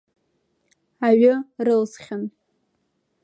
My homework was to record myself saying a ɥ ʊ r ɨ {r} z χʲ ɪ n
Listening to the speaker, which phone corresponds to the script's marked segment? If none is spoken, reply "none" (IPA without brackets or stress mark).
l